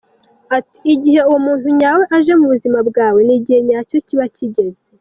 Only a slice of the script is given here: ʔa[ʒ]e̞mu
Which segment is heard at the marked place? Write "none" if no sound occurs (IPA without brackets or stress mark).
ʒ